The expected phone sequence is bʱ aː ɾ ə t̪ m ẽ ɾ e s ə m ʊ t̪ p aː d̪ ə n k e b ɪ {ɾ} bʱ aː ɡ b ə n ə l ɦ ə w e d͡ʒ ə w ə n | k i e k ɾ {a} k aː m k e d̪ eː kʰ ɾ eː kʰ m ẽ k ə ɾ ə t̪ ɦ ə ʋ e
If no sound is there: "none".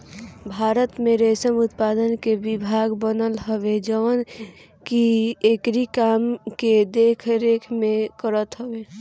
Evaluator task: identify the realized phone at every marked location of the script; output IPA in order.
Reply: none, i

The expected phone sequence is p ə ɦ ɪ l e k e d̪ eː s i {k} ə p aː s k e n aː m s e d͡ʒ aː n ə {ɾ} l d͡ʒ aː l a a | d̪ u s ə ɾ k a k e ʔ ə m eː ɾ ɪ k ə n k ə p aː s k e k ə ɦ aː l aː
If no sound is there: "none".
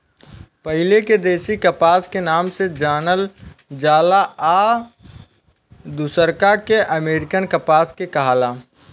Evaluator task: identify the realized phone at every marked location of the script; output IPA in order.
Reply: k, none

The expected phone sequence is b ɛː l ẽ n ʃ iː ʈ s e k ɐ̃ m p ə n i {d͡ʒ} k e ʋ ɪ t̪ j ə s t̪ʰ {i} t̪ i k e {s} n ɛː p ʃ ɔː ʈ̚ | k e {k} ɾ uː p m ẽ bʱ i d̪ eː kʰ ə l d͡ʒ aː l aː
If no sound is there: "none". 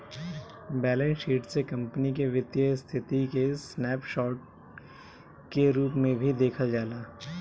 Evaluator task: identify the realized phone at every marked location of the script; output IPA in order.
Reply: none, ɪ, s, none

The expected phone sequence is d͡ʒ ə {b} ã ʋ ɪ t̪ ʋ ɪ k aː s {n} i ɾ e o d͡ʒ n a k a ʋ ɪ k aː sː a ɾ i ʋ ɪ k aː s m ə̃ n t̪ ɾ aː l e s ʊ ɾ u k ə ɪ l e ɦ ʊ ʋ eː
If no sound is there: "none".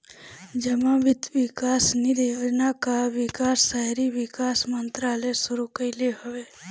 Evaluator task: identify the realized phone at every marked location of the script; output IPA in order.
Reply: m, n

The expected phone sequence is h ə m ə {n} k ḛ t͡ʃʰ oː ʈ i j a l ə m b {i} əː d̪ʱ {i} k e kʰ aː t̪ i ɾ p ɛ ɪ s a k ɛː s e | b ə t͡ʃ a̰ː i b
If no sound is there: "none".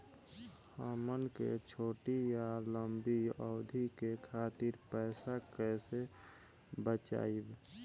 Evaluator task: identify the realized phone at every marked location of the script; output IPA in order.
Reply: n, i, i

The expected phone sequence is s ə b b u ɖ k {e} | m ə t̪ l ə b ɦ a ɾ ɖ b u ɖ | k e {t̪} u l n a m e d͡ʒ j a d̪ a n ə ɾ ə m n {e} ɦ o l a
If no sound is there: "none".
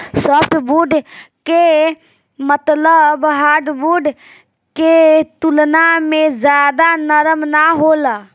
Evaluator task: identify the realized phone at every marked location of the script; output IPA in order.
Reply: e, t̪, a

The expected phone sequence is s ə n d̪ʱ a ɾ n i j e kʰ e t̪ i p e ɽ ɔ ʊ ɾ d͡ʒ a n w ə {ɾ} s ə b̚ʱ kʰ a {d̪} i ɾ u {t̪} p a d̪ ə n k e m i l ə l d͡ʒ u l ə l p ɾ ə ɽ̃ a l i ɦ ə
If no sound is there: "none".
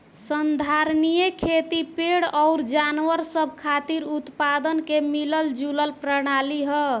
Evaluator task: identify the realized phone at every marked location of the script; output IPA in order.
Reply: ɾ, t̪, t̪

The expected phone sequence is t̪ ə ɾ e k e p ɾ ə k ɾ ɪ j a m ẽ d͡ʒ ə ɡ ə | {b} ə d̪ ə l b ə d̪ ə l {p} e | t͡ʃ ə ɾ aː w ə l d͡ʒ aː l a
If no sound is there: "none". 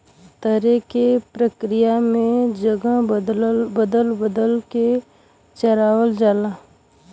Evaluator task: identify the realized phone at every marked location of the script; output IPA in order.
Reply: b, k

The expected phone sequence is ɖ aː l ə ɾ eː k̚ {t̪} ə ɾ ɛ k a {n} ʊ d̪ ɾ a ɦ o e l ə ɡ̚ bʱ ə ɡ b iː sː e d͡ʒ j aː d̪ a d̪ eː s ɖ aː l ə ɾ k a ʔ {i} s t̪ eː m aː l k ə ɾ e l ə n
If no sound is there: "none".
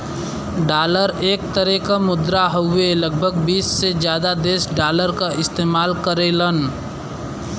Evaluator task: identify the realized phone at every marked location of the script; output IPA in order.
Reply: t̪, m, ɪ

